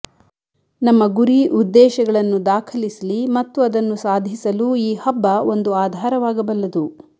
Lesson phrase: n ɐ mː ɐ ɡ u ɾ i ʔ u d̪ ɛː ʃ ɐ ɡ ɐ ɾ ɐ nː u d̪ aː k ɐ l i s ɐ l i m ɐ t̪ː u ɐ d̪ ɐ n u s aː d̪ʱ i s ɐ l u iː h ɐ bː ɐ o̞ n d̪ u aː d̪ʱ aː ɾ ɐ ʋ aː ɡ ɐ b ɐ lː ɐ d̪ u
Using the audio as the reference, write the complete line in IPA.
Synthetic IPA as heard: n ɐ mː ɐ ɡ u ɾ i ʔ u d̪ː ɛː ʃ ɐ ɡ ɐ ɭ ɐ nː u d̪ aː kʰ ɐ l i s ɐ l i m ɐ t̪ː u ɐ d̪ ɐ nː u s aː d̪ʱ i s ɐ l u iː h ɐ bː ɐ o̞ n d̪ u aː d̪ʱ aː ɾ ɐ ʋ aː ɡ ɐ b ɐ lː ɐ d̪ u